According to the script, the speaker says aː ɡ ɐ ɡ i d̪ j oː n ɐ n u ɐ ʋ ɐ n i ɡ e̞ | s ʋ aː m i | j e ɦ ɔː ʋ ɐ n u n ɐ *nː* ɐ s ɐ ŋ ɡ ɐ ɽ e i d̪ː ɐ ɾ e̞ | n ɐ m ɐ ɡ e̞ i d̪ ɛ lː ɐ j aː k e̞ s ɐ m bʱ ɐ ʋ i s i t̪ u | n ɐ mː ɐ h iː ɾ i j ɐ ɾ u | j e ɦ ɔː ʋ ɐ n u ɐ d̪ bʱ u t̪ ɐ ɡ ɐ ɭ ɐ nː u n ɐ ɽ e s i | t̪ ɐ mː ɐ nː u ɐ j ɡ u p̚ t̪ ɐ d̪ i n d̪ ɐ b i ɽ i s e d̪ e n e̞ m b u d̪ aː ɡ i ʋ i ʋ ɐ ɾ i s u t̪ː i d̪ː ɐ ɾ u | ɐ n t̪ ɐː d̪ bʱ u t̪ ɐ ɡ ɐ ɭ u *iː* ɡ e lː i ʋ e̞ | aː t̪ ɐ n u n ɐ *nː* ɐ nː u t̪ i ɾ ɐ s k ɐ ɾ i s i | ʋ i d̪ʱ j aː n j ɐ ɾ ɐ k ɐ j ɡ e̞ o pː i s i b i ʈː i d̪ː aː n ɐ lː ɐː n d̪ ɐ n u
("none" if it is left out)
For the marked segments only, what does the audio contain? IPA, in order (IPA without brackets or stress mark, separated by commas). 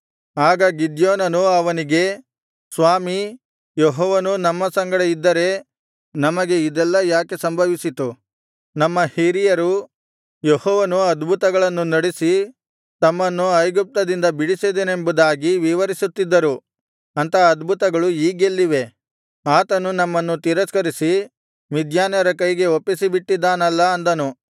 mː, iː, mː